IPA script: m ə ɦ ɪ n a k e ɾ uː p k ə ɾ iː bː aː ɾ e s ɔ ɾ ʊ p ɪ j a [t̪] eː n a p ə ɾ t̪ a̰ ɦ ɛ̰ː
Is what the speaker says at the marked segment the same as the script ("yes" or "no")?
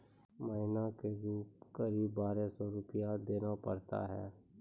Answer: no